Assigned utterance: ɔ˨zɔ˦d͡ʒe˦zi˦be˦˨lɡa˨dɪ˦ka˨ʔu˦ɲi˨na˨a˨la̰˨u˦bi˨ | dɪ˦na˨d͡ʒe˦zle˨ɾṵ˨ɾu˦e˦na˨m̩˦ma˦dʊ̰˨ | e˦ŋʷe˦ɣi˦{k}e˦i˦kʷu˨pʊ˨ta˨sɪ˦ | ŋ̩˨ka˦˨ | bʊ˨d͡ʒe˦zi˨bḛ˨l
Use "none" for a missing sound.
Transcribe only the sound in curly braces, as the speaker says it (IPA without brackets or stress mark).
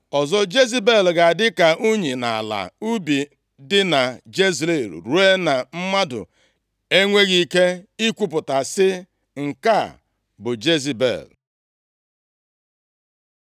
k